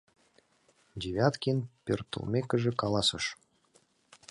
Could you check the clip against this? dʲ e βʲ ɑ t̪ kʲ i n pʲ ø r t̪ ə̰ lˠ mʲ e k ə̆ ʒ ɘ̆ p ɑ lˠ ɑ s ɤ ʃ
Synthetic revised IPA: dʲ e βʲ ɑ t̪ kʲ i n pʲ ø r t̪ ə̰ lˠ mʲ e k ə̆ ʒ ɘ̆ k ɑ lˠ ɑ s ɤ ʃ